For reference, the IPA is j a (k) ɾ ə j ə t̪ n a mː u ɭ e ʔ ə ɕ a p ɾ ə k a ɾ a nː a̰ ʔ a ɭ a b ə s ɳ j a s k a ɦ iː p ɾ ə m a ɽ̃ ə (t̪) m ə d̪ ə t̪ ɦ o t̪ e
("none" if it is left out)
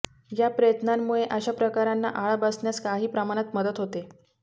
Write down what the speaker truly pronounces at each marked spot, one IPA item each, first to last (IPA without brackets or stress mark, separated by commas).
p, t̪